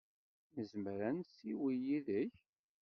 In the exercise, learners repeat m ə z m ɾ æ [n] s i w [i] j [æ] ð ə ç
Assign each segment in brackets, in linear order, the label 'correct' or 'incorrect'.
correct, correct, incorrect

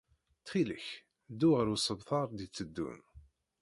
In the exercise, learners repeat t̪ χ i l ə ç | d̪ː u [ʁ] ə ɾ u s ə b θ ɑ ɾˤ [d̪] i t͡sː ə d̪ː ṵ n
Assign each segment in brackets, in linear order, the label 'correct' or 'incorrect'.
correct, correct

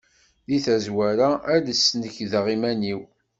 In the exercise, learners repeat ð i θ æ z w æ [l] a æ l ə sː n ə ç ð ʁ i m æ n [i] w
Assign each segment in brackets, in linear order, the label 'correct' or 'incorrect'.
incorrect, correct

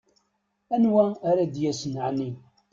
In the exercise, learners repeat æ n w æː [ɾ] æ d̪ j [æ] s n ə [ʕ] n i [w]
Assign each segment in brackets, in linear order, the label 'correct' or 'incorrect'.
correct, correct, correct, incorrect

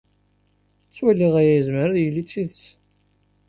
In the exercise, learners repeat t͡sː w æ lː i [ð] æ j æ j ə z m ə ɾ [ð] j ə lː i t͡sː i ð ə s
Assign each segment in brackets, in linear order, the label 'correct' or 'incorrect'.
incorrect, correct

